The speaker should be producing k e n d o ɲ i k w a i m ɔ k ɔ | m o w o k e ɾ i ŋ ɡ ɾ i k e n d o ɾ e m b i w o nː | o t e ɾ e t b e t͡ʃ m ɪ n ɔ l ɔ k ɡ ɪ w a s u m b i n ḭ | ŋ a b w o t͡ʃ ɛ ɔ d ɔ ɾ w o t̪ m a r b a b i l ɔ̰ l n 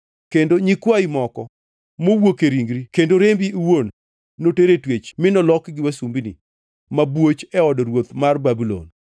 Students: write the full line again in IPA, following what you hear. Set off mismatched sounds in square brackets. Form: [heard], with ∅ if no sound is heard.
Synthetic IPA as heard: k e n d o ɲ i k w a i m ɔ k ɔ | m o w o k e ɾ i ŋ ɡ ɾ i k e n d o ɾ e m b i w o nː | o t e ɾ e t [w] e t͡ʃ m ɪ n ɔ l ɔ k ɡ ɪ w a s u m b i n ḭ | [m] a b w o t͡ʃ ɛ ɔ d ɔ ɾ w o t̪ m a r b a b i l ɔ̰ [∅] n